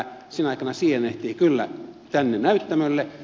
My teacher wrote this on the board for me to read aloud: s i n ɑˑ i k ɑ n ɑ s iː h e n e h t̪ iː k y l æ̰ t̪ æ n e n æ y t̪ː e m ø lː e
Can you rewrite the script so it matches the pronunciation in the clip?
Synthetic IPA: s i n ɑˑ i k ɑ n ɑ s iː h e n e h t̪ iː k y lː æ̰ t̪ æ nː e n æ y t̪ː æ m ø lː e